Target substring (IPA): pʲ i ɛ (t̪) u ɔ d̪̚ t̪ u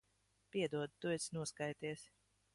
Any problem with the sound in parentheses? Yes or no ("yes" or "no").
yes